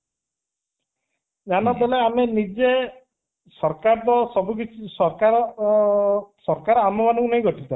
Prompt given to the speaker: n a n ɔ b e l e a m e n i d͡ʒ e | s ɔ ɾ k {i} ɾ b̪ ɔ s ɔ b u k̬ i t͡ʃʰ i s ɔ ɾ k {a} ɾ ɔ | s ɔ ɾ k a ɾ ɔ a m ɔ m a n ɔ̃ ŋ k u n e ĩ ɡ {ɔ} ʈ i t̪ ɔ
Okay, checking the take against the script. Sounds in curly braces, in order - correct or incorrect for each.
incorrect: a, correct, correct

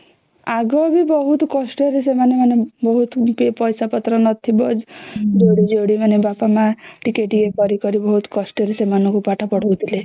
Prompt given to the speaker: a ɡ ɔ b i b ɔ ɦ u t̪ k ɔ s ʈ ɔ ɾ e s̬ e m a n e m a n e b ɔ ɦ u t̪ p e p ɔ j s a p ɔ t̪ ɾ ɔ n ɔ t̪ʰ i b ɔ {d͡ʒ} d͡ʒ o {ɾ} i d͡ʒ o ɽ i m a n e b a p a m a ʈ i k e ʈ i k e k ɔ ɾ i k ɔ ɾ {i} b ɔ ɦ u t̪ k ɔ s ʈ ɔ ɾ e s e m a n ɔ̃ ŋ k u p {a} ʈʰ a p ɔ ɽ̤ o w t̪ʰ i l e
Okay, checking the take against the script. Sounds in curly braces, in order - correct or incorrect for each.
correct, incorrect: ɽ, correct, correct

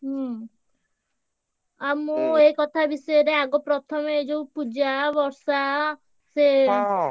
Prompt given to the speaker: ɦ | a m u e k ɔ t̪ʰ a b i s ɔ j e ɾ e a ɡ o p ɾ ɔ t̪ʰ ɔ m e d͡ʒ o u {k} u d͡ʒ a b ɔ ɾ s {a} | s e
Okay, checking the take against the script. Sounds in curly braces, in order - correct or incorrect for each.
incorrect: p, correct

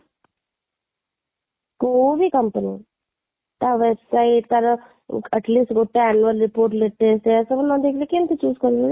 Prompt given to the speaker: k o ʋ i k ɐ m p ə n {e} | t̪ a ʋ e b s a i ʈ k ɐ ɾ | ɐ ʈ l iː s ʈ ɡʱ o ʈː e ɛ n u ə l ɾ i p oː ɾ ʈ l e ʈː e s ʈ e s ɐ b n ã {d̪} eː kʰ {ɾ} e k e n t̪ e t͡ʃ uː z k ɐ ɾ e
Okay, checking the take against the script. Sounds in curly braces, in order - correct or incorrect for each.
incorrect: i, correct, incorrect: l

